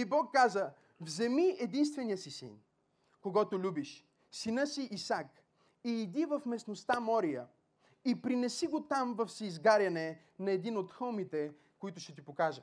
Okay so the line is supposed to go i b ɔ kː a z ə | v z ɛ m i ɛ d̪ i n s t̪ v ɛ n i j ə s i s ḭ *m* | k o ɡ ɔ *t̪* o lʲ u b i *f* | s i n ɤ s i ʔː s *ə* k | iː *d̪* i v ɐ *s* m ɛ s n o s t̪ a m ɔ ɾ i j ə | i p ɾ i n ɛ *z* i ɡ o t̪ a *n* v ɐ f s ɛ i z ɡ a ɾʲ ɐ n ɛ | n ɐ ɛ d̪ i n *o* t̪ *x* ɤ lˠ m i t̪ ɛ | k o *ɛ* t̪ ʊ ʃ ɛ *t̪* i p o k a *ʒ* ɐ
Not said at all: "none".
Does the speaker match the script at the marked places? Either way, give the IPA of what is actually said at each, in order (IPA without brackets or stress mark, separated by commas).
n, t̪, ʃ, a, d̪, f, s, m, o, x, i, t̪, ʒ